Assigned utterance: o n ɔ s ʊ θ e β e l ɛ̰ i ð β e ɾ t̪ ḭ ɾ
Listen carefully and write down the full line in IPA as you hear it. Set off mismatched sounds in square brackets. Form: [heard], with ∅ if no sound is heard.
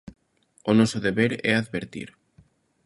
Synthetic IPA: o n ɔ s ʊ [ð] e β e [ɾ] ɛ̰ [a] ð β e ɾ t̪ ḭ ɾ